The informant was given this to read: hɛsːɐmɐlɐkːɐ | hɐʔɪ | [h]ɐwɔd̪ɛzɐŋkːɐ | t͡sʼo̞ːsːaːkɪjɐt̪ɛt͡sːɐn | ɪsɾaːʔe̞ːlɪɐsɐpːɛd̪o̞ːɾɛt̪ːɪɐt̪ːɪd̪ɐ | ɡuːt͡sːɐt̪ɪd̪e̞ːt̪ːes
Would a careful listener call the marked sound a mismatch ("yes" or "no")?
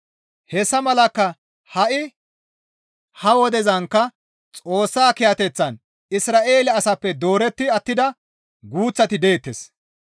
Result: no